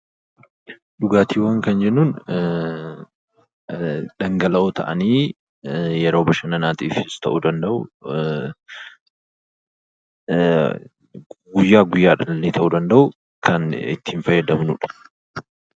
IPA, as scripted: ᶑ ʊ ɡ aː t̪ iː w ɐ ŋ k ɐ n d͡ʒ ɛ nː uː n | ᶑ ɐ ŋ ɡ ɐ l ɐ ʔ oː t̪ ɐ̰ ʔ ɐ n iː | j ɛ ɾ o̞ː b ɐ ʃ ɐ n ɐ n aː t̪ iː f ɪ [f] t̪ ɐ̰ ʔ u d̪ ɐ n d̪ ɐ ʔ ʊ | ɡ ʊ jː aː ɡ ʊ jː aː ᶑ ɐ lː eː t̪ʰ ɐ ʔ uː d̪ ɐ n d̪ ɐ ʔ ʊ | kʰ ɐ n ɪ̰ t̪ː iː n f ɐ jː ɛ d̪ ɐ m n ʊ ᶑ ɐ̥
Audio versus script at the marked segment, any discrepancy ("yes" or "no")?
yes